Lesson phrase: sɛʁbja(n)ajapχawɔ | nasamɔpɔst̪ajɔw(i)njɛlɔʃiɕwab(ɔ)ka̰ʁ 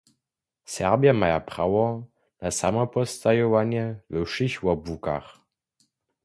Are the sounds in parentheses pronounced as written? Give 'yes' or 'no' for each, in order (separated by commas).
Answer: no, no, no